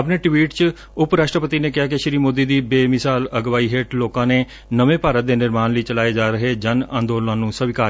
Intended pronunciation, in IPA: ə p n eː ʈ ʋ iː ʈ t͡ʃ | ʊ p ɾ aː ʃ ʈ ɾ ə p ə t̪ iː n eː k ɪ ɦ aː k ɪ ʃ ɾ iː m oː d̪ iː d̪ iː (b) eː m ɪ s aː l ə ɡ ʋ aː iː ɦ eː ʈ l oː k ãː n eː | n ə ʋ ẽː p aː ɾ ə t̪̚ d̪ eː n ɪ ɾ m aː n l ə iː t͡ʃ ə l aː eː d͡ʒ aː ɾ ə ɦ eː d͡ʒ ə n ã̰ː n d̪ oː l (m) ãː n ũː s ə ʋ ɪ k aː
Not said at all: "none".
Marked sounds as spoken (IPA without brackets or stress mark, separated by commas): b, n